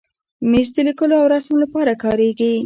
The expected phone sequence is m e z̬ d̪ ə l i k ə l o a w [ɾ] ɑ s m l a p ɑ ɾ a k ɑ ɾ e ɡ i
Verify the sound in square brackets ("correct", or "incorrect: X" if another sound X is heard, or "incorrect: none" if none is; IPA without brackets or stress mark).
correct